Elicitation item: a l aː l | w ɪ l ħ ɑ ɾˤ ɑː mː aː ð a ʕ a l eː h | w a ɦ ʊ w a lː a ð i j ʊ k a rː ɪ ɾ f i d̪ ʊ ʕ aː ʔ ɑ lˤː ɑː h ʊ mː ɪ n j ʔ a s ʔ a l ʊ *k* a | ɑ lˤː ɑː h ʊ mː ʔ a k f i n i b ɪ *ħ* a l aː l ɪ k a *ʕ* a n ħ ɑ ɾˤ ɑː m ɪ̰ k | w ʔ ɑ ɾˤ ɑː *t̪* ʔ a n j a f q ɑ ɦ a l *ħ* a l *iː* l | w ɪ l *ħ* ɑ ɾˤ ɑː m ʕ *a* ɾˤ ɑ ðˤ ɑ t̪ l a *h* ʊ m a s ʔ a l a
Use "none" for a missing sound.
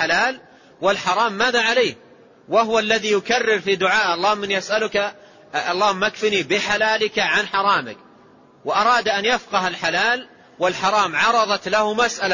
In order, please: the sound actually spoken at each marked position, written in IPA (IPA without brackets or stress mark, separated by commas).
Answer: k, ħ, ʕ, d̪, ħ, aː, ħ, ɑ, h